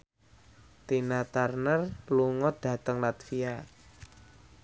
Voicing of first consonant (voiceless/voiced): voiceless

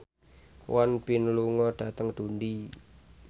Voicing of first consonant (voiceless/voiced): voiced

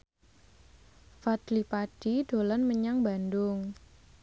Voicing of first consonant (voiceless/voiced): voiceless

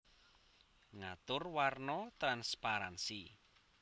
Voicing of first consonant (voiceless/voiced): voiced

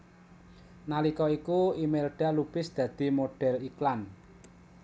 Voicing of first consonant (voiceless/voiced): voiced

